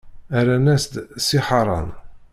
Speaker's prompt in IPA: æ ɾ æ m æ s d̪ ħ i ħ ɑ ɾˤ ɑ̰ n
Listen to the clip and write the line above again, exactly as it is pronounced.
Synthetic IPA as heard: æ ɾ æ n æ s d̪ s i ħ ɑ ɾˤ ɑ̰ n